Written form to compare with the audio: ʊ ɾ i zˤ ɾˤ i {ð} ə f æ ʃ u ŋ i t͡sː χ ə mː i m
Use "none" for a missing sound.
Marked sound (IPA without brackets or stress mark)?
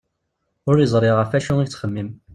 ʁ